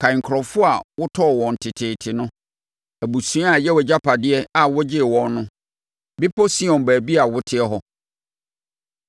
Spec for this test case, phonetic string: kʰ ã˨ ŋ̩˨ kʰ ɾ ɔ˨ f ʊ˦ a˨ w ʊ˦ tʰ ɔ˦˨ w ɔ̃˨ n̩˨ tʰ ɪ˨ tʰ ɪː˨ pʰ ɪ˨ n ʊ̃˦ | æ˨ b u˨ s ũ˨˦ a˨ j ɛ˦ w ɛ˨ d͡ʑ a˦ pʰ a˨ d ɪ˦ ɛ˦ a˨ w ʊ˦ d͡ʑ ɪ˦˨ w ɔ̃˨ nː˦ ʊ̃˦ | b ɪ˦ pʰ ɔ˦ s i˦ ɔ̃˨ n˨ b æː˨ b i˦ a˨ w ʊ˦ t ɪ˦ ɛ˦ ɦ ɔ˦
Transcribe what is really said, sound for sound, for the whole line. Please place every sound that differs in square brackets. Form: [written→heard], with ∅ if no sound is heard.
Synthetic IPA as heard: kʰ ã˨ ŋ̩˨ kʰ ɾ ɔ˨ f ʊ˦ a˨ w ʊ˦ tʰ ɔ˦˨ w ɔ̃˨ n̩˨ tʰ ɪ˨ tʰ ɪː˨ [pʰ→tʰ] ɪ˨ n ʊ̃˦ | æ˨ b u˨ s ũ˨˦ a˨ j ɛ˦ w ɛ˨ d͡ʑ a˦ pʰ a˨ d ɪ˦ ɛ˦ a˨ w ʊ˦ d͡ʑ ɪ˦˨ w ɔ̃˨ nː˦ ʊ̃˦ | b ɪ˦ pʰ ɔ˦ s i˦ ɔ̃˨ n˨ b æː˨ b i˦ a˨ w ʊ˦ [t→tʰ] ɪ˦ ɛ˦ ɦ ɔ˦

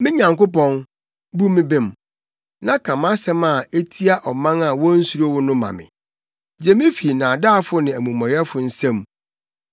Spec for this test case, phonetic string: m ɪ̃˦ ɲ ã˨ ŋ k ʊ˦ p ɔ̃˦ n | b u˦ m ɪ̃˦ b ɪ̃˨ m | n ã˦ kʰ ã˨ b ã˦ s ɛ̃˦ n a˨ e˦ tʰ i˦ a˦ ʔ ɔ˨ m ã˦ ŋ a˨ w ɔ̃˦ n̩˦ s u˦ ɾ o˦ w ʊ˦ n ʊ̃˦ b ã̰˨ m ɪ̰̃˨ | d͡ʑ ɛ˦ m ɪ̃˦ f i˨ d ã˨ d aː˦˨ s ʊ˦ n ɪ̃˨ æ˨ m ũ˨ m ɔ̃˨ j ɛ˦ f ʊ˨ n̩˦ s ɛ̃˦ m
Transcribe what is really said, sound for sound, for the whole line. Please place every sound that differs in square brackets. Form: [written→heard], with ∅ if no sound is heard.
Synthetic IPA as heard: m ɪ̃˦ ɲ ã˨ ŋ k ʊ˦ p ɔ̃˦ n | b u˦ m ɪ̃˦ b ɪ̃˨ m | n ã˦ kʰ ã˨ [b→m] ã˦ s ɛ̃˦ [n→m] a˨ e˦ tʰ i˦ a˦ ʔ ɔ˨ m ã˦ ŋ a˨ w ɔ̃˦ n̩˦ s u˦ ɾ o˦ w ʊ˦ n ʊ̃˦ [b→m] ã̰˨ m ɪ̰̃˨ | d͡ʑ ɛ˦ m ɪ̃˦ f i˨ [d→n] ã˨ d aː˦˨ [s→f] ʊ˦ n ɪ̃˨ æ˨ m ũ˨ m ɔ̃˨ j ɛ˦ f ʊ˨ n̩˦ s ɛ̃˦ m

